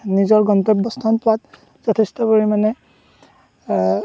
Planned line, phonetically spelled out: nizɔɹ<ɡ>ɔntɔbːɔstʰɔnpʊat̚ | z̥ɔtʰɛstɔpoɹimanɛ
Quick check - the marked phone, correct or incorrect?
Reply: correct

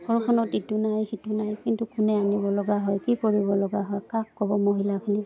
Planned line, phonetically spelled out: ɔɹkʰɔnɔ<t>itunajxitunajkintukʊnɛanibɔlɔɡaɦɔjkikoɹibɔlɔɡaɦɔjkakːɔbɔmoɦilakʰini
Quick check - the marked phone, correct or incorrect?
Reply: correct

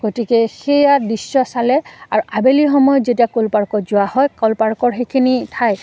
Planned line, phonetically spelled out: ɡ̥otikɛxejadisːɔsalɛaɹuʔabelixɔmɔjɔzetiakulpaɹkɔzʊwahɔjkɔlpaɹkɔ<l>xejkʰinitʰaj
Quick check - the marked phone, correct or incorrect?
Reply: incorrect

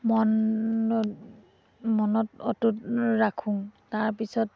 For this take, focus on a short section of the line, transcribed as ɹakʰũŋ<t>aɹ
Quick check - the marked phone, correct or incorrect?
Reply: correct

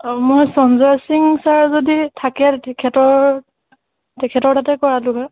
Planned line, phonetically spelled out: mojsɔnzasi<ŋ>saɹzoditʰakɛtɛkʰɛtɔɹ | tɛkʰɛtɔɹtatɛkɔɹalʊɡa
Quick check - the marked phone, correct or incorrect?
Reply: correct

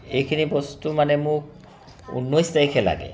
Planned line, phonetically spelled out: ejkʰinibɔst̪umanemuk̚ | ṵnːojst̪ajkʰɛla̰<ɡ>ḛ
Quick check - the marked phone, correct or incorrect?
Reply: correct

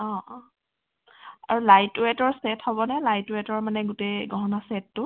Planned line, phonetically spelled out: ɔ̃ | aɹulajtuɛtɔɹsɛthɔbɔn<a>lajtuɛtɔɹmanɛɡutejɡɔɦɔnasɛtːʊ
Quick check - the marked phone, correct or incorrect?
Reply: incorrect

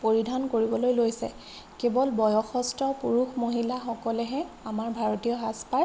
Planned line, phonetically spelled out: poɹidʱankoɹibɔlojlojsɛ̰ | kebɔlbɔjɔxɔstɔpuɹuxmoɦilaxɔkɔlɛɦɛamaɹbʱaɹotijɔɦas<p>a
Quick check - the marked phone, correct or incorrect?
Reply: correct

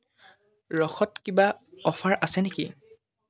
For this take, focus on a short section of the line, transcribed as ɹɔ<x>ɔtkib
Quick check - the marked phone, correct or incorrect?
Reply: correct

